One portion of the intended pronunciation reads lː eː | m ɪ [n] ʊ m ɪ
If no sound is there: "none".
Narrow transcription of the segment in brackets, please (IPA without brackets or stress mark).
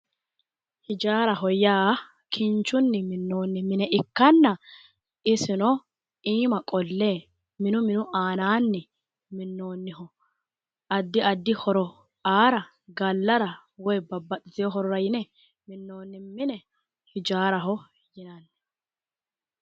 n